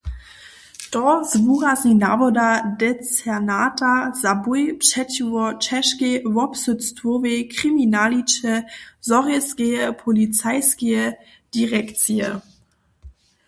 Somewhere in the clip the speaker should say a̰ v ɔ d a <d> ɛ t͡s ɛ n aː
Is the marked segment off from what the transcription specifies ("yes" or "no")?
no